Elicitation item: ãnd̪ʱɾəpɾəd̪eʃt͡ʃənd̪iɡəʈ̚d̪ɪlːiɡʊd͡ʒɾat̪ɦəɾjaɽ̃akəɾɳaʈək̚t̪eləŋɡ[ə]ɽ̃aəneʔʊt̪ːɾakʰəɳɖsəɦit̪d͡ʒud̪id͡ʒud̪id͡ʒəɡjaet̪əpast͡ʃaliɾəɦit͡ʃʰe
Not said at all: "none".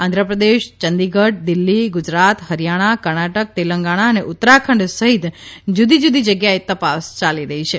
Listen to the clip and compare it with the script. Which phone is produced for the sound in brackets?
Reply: a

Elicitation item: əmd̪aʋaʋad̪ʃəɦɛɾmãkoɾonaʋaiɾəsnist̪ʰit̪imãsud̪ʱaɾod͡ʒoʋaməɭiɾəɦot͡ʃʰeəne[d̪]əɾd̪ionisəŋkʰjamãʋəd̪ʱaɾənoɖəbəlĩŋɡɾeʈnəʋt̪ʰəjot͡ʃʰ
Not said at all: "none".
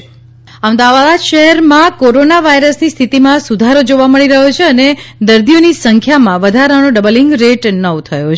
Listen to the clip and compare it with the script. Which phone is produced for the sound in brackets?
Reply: d̪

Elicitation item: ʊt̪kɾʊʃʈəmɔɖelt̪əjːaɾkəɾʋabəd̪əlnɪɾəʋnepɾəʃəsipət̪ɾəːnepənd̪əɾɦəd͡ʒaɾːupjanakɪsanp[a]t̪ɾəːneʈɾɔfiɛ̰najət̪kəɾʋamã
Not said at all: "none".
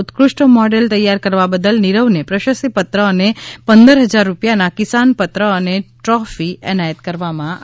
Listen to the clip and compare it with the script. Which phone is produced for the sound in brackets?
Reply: ə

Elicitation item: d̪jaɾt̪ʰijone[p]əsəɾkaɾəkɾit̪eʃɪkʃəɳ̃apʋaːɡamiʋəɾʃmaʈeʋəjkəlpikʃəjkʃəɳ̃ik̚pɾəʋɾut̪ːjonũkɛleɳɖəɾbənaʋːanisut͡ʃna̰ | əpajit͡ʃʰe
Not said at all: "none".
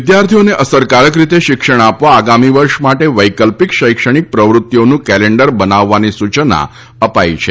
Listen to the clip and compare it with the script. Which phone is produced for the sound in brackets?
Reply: ʔ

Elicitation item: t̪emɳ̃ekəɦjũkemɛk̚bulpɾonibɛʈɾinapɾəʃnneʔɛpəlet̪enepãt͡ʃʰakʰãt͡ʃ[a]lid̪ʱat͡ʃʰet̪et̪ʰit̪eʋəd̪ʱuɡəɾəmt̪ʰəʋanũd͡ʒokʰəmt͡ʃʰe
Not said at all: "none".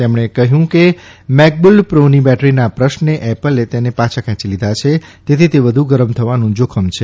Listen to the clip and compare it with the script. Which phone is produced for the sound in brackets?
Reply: i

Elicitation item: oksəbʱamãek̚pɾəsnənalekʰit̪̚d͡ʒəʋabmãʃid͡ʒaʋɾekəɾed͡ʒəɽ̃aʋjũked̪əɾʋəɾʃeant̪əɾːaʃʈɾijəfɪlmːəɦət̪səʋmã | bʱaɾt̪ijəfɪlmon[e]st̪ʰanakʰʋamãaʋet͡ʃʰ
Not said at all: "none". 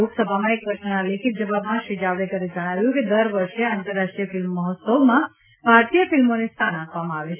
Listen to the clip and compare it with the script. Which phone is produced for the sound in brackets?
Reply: e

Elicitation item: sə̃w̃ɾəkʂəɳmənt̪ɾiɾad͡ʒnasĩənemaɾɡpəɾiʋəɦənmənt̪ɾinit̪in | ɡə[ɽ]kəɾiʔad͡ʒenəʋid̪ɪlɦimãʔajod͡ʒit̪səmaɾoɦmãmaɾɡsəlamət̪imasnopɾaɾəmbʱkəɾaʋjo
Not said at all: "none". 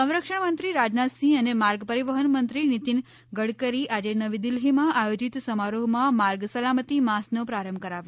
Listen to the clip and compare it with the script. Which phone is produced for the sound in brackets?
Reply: ɽ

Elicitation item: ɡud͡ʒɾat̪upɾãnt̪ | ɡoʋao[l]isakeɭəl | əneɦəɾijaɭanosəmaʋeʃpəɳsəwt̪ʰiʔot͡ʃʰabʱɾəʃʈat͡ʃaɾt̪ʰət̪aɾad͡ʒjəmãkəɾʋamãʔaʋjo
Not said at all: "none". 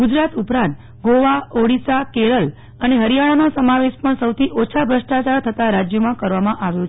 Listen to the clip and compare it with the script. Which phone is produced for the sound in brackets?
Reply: ɽ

